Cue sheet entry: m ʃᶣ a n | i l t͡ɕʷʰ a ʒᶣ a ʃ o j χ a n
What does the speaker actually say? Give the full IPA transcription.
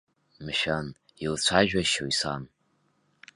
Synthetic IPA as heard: m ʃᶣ a n | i l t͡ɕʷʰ a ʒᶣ a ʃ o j s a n